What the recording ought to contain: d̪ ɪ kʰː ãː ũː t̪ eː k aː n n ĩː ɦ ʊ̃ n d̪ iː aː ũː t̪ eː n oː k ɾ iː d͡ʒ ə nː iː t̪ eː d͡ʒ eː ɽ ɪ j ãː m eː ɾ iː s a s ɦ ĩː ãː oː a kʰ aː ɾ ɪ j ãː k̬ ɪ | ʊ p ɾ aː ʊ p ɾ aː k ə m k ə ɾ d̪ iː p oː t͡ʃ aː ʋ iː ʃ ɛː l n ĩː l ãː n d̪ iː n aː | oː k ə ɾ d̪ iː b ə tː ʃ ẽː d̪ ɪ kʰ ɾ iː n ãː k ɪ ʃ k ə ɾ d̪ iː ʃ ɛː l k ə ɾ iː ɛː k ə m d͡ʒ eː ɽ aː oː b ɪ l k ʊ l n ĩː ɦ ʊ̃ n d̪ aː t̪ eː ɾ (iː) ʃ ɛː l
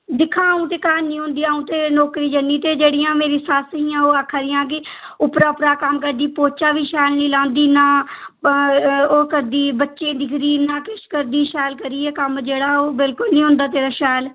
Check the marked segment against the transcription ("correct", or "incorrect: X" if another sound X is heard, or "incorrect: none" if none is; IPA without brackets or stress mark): incorrect: aː